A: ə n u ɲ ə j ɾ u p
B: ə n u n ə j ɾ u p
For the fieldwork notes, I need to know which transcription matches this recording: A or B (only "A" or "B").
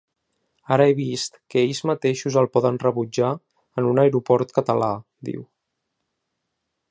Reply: B